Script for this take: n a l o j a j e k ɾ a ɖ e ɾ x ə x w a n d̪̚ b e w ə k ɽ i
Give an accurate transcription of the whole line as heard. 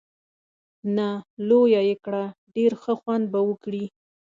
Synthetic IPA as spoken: n a l o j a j e k ɽ a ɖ e ɾ x ə x w a n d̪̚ b a w ə k ɽ i